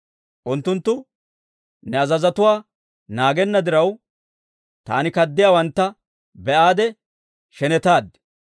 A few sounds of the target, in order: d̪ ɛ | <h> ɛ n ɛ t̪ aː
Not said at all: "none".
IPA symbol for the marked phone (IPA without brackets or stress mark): ʃ